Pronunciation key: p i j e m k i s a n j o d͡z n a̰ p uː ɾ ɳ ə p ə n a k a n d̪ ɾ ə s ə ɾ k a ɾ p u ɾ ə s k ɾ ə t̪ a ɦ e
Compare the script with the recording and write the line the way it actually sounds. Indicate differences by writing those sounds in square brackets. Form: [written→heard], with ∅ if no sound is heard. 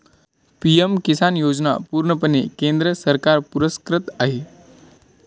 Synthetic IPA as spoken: p i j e m k i s a n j o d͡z n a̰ p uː ɾ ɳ ə p ə n [a→e] k [a→e] n d̪ ɾ ə s ə ɾ k a ɾ p u ɾ ə s k ɾ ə t̪ a ɦ e